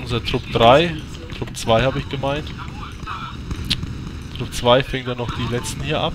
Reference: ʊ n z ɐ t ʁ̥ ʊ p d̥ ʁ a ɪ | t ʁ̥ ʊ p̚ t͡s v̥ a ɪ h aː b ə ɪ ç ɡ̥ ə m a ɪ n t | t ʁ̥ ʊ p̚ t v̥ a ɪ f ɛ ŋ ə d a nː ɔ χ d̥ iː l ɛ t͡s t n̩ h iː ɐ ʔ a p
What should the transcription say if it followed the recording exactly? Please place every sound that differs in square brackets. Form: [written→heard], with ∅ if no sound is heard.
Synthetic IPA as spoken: ʊ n z ɐ t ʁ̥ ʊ p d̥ ʁ a ɪ | t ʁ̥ ʊ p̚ t͡s v̥ a ɪ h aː b ə ɪ ç ɡ̥ ə m a ɪ n t | t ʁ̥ ʊ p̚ [t→t͡s] v̥ a ɪ f ɛ ŋ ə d a [nː→n] ɔ χ d̥ iː l ɛ t͡s t n̩ h iː ɐ ʔ a p

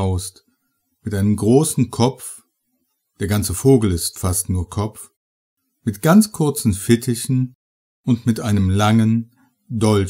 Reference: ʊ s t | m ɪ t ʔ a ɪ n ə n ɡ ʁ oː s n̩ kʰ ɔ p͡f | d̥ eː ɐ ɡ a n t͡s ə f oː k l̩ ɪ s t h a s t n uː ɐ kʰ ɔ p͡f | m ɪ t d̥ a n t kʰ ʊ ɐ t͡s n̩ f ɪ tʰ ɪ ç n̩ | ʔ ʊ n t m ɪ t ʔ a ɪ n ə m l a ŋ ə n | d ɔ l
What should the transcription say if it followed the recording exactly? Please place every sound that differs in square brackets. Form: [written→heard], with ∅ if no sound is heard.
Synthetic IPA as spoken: ʊ s t | m ɪ t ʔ a ɪ n ə [n→m] ɡ ʁ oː s n̩ kʰ ɔ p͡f | d̥ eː ɐ ɡ a n t͡s ə f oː [k→ɡ] l̩ ɪ s t [h→f] a s t n uː ɐ kʰ ɔ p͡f | m ɪ t [d̥→ɡ̥] a n [t→t͡s] kʰ ʊ ɐ t͡s n̩ f ɪ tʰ ɪ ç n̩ | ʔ ʊ n t m ɪ t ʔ a ɪ n ə m l a ŋ ə n | d ɔ l

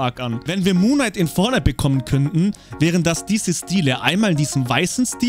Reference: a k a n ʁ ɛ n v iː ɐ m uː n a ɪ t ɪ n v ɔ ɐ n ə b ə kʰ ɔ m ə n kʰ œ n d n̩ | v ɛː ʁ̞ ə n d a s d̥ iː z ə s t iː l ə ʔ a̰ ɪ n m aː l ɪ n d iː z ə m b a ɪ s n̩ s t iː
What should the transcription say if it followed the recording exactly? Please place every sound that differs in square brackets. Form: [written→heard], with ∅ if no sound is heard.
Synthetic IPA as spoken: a k a n [ʁ→v] ɛ n v iː ɐ m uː n a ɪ t ɪ n [v→f] ɔ ɐ n ə b ə kʰ ɔ m ə n kʰ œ n [d→t] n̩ | v ɛː ʁ̞ ə n d a s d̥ iː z ə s t iː l ə ʔ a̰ ɪ n m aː l ɪ n d iː z ə m [b→v] a ɪ s n̩ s t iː

